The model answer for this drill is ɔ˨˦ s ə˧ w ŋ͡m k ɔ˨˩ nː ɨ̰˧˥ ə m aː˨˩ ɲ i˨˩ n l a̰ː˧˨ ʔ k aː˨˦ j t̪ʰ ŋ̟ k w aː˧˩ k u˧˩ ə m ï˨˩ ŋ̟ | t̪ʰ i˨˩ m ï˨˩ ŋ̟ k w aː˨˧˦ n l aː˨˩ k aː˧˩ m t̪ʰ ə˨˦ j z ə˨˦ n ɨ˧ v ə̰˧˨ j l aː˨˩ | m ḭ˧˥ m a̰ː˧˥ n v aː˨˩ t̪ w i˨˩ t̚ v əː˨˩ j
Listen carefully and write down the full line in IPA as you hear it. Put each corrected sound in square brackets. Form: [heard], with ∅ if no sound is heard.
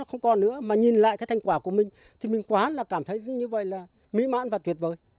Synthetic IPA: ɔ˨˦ [x] ə˧ w ŋ͡m k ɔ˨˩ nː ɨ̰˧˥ ə m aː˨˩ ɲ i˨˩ n l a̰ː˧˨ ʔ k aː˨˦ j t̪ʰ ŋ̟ k w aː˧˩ k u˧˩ ə m ï˨˩ ŋ̟ | t̪ʰ i˨˩ m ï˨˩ ŋ̟ k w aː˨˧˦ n l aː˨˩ k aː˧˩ m t̪ʰ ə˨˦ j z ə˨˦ [ɲ] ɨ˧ v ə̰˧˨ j l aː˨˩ | m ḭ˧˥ m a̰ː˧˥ n v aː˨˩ t̪ w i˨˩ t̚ v əː˨˩ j